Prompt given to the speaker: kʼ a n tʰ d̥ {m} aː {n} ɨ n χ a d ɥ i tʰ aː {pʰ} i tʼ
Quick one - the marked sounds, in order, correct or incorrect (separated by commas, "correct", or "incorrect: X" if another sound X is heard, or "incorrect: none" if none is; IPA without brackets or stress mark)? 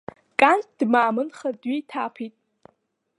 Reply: correct, incorrect: m, correct